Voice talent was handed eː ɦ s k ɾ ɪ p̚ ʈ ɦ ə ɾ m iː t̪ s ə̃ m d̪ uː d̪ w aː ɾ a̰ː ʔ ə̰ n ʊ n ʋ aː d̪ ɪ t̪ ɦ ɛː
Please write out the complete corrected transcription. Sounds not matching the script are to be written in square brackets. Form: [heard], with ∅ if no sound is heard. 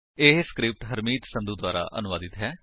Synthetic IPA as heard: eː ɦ s k ɾ ɪ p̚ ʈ ɦ ə ɾ m iː t̪ s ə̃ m d̪ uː d̪ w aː ɾ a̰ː ʔ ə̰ n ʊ [∅] ʋ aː d̪ ɪ t̪ ɦ ɛː